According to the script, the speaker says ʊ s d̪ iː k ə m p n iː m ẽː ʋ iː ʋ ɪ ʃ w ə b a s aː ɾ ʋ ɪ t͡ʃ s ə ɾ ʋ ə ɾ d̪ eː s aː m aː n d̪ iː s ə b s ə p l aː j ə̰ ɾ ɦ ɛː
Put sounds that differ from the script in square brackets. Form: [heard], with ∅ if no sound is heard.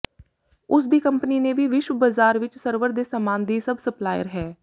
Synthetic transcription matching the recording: ʊ s d̪ iː k ə m p n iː [n] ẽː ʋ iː ʋ ɪ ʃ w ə b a [z] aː ɾ ʋ ɪ t͡ʃ s ə ɾ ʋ ə ɾ d̪ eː s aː m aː n d̪ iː s ə b s ə p l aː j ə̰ ɾ ɦ ɛː